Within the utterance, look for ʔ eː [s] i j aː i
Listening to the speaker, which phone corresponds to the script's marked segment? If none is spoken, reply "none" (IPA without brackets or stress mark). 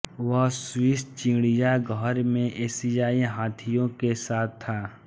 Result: s